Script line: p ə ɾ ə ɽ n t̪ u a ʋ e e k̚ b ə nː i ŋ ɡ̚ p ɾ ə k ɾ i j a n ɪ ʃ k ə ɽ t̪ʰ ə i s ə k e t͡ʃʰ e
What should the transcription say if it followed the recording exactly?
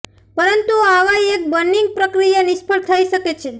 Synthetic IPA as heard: p ə ɾ ə n t̪ u a ʋ a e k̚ b ə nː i ŋ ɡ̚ p ɾ ə k ɾ i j a n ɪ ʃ p ə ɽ t̪ʰ ə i ʃ ə k e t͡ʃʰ e